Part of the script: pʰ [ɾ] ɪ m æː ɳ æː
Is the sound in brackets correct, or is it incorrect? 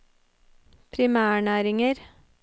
correct